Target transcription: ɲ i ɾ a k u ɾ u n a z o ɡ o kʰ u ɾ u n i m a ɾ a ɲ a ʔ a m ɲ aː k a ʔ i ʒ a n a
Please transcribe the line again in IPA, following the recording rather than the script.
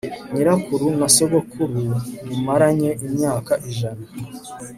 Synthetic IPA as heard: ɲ i ɾ a k u ɾ u n a s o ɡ o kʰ u ɾ u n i m a ɾ a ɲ e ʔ i m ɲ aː k a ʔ i ʒ a n a